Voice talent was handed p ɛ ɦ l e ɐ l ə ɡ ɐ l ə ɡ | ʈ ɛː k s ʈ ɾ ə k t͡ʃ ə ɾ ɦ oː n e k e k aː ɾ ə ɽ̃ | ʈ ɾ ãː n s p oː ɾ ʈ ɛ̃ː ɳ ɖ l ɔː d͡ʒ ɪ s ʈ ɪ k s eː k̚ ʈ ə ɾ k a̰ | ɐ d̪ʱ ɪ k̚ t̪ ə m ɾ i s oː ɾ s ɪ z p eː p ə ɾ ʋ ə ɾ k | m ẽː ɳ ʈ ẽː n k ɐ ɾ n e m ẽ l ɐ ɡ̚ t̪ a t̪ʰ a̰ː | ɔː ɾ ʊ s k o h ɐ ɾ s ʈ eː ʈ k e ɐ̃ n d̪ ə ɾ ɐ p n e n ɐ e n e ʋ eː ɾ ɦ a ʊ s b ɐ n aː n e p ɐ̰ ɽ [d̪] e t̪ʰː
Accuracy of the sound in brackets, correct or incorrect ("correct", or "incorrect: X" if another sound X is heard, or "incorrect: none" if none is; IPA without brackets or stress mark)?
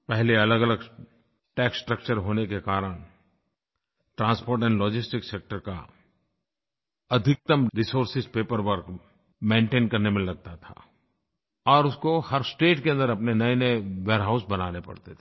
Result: incorrect: t̪